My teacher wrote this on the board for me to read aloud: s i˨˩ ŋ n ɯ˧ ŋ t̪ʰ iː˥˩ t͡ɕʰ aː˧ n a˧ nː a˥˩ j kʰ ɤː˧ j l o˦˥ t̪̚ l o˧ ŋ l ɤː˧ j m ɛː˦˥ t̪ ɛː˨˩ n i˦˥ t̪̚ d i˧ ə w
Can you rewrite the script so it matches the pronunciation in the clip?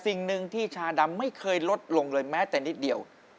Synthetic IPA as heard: s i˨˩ ŋ n ɯ˧ ŋ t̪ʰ iː˥˩ t͡ɕʰ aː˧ d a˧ mː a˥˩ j kʰ ɤː˧ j l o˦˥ t̪̚ l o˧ ŋ l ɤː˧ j m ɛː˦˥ t̪ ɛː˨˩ n i˦˥ t̪̚ d i˨˩ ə w